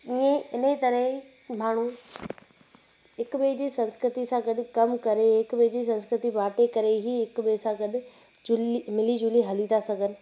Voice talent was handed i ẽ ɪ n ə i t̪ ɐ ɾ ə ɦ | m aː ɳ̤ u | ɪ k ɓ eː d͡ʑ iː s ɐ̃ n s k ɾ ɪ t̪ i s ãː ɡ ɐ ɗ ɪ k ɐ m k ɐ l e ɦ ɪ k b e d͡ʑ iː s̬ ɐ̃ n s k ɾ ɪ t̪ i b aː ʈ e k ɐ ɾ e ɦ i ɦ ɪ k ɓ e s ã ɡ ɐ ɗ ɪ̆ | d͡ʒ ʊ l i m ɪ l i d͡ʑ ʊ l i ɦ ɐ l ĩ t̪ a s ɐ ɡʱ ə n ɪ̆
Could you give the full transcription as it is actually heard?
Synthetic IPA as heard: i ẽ ɪ n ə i t̪ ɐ ɾ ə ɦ | m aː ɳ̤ u | ɪ k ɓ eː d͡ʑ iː s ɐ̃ n s k ɾ ɪ t̪ i s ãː ɡ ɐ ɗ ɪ k ɐ m k ɐ ɾ e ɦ ɪ k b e d͡ʑ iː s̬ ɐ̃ n s k ɾ ɪ t̪ i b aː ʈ e k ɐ ɾ e ɦ i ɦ ɪ k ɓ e s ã ɡ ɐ ɗ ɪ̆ | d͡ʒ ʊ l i m ɪ l i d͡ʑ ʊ l i ɦ ɐ l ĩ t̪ a s ɐ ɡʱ ə n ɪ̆